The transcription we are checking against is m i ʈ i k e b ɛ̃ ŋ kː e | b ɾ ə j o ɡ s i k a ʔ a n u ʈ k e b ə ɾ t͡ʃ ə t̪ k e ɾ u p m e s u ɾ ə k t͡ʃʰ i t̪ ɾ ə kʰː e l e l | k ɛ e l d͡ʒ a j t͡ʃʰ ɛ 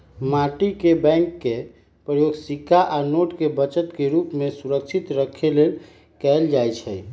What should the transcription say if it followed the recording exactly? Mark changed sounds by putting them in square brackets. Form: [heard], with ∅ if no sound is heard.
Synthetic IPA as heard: m [a] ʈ i k e b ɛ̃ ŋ kː e | [p] ɾ ə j o ɡ s i k a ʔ a n [o] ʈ k e b ə [∅] t͡ʃ ə t̪ k e ɾ u p m e s u ɾ ə k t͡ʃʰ i t̪ ɾ ə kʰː e l e l | k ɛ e l d͡ʒ a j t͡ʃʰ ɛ